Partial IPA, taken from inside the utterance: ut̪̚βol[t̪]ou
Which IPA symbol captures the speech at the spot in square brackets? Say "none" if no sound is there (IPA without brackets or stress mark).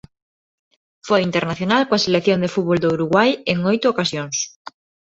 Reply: d̪